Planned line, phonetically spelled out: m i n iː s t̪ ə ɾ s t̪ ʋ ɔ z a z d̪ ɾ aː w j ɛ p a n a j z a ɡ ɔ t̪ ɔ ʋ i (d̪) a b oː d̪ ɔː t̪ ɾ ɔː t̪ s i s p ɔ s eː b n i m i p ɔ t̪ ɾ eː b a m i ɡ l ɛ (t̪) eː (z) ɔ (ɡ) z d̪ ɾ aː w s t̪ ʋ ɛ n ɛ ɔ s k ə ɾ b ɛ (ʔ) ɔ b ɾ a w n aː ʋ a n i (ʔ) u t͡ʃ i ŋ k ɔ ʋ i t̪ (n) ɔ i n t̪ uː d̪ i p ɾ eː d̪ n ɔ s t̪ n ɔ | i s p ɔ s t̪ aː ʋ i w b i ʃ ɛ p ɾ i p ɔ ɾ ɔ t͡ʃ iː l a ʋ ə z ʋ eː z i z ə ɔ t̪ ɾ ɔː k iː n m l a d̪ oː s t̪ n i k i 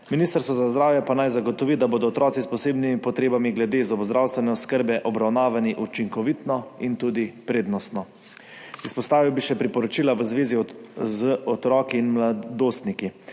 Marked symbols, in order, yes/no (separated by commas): yes, no, yes, no, yes, yes, yes